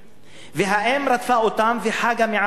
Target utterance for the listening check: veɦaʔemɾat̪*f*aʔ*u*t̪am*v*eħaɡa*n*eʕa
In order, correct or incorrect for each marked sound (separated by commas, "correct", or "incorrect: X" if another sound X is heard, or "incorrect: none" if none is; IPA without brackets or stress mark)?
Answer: correct, incorrect: o, correct, incorrect: m